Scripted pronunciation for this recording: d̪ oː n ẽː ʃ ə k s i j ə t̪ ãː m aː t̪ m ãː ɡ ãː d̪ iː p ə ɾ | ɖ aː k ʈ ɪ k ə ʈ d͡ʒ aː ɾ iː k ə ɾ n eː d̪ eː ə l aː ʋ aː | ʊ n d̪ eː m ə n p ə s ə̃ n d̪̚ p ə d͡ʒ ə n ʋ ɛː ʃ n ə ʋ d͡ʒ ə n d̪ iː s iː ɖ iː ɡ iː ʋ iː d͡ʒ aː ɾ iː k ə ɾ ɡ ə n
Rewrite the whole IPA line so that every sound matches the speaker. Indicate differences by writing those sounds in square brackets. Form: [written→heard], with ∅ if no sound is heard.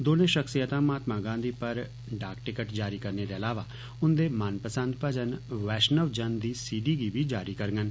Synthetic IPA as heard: d̪ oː n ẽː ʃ ə k s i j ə t̪ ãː m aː t̪ m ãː ɡ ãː d̪ iː p ə ɾ | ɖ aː k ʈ ɪ k ə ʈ d͡ʒ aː ɾ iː k ə ɾ n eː d̪ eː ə l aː ʋ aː | ʊ n d̪ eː m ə n p ə s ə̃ n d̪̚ p ə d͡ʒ ə n ʋ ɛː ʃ n ə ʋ d͡ʒ ə n d̪ iː s iː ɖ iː ɡ iː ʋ iː d͡ʒ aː ɾ iː k ə ɾ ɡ ə n